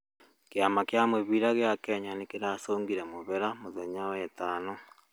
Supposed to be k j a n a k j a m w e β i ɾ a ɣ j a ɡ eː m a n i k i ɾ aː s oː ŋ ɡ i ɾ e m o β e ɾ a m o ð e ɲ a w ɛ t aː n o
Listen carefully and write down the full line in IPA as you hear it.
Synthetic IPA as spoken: k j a m a k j a m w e β i ɾ a ɣ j a k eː ɲ a n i k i ɾ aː s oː ŋ ɡ i ɾ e m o β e ɾ a m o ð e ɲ a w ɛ t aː n o